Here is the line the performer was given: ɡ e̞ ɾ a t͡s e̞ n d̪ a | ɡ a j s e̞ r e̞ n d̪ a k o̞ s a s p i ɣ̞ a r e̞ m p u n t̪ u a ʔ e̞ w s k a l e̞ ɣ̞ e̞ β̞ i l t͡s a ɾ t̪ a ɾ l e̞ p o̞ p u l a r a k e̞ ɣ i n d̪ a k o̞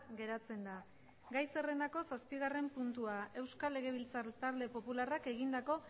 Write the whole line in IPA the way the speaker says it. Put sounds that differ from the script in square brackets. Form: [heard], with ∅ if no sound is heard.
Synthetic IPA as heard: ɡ e̞ ɾ a t͡s e̞ n d̪ a | ɡ a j s e̞ r e̞ n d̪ a k o̞ s a s p i ɣ̞ a r e̞ m p u n t̪ u a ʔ e̞ w s k a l e̞ ɣ̞ e̞ β̞ i l t͡s a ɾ t̪ a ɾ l e̞ p o̞ p u l a r a k e̞ ɣ i n d̪ a k o̞